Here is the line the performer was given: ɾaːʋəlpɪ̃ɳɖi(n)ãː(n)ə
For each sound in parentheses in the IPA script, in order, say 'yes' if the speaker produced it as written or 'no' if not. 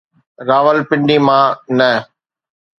no, yes

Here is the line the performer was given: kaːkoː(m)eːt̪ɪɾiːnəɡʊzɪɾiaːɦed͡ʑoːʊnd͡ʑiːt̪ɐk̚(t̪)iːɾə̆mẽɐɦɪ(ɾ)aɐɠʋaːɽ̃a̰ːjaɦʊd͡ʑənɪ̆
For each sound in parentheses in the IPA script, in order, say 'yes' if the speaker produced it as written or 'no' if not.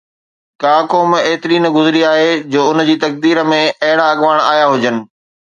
yes, no, no

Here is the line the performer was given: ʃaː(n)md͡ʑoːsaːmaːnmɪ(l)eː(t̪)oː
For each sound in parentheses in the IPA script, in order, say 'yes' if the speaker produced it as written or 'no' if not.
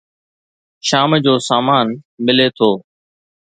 no, yes, no

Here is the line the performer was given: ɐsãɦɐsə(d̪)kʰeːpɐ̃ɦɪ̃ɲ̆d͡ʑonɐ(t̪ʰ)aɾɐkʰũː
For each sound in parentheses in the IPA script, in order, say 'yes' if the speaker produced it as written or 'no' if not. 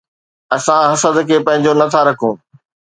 yes, yes

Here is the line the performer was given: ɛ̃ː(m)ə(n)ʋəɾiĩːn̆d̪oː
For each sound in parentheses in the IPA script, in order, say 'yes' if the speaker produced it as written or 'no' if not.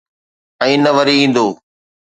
no, no

